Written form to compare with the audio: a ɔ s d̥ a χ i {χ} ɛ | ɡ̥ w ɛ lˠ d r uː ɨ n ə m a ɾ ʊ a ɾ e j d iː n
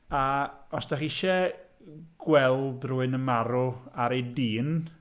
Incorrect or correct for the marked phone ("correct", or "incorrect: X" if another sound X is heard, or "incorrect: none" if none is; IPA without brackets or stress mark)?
incorrect: ʃ